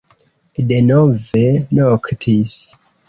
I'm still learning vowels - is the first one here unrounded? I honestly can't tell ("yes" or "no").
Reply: yes